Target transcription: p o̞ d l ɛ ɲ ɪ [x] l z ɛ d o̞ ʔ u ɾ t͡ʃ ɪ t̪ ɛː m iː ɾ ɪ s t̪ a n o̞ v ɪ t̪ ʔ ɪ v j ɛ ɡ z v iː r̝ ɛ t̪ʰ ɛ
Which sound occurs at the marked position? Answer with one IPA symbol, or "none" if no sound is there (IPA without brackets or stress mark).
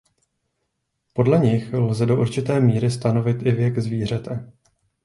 x